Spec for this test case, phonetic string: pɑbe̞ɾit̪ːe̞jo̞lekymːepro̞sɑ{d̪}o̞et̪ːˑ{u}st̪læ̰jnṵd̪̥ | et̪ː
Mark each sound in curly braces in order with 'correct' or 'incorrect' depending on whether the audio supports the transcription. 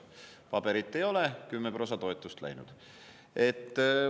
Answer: incorrect: t̪, correct

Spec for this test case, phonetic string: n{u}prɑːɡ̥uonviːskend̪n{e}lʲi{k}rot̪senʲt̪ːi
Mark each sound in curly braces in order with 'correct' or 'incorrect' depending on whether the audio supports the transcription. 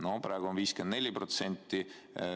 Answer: incorrect: o, correct, incorrect: p

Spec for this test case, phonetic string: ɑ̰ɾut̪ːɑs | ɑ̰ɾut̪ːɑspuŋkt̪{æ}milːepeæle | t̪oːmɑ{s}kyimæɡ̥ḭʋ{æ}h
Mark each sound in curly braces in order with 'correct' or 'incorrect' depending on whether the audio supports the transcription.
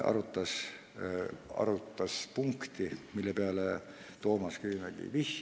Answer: incorrect: i, correct, incorrect: i

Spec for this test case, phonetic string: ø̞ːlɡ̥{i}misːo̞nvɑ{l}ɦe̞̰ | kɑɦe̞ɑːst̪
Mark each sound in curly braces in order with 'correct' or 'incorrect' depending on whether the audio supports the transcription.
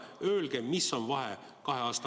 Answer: incorrect: e, incorrect: none

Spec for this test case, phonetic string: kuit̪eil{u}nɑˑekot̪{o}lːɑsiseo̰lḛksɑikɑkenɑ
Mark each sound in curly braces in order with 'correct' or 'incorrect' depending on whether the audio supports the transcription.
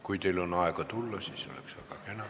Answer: incorrect: o, incorrect: u

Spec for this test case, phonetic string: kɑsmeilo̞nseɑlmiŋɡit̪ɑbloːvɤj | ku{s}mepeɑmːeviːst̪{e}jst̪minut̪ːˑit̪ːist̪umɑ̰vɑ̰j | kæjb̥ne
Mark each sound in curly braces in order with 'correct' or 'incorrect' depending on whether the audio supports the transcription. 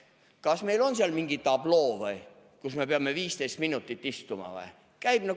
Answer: correct, correct

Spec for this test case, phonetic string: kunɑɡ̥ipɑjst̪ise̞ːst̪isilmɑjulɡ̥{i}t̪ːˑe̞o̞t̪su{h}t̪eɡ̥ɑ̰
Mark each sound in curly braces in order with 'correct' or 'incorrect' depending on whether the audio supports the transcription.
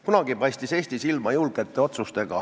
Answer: incorrect: e, incorrect: s

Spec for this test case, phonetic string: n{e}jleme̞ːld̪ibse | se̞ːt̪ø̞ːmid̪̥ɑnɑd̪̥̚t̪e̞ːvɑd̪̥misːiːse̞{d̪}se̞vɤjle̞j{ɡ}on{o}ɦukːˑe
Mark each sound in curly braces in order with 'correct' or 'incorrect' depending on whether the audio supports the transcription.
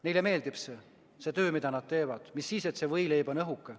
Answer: correct, incorrect: t̪, incorrect: b, incorrect: ɤ

